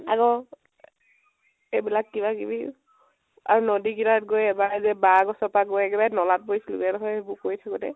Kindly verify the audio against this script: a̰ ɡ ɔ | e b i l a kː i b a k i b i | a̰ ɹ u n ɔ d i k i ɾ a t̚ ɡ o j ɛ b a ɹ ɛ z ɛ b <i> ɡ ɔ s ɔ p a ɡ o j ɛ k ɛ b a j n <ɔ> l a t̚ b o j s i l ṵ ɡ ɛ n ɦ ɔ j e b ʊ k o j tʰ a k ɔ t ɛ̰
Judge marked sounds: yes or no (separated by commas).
no, yes